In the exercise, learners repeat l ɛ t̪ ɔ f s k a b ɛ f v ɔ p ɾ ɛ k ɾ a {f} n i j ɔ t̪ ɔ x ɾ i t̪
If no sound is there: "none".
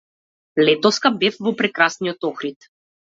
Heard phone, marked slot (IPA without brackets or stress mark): s